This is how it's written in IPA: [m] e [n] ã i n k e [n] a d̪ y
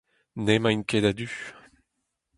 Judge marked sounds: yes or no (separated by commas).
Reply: no, no, no